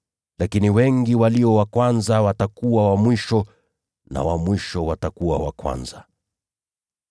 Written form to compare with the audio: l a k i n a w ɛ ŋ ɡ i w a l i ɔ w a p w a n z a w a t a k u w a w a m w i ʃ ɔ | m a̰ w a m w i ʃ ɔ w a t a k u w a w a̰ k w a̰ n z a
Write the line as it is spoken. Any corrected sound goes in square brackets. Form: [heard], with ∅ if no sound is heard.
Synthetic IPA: l a k i n [i] w ɛ ŋ ɡ i w a l i ɔ w a [k] w a n z a w a t a k u w a w a m w i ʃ ɔ | [n] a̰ w a m w i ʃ ɔ w a t a k u w a w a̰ k w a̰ n z a